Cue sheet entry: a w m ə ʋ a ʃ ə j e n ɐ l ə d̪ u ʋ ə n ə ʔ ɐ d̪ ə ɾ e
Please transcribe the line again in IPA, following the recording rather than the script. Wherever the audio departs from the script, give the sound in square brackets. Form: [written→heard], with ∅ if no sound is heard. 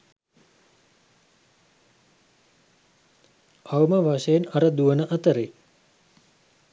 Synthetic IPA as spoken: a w m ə ʋ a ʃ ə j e n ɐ [l→ɾ] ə d̪ u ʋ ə n ə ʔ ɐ [d̪→t̪] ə ɾ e